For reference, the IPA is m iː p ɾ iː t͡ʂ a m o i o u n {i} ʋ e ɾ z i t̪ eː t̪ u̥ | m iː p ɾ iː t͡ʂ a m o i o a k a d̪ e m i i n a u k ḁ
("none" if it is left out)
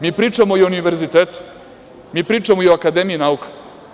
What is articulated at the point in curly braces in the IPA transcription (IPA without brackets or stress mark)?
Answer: i